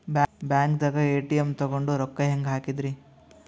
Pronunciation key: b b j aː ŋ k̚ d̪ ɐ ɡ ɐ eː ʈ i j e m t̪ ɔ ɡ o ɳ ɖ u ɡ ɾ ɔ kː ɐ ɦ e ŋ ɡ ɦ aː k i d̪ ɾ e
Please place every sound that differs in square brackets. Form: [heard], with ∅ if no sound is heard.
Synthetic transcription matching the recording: b b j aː ŋ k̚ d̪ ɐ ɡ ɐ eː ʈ i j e m t̪ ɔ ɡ o ɳ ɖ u [∅] ɾ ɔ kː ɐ ɦ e ŋ ɡ ɦ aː k i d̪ ɾ [i]